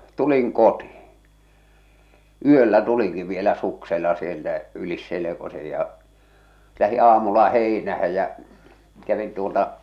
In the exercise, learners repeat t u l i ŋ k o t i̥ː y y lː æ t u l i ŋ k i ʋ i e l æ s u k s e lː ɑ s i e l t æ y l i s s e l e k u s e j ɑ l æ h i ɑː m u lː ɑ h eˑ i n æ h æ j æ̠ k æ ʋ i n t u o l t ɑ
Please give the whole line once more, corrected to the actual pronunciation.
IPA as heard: t u l i ŋ k o t i̥ː y ø lː æ t u l i ŋ k i ʋ i e l æ s u k s e lː ɑ s i e l t æ y l i s s e l e k o s e j ɑ l æ h i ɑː m u lː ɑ h eˑ i n æ h æ j æ̠ k æ ʋ i n t u o l t ɑ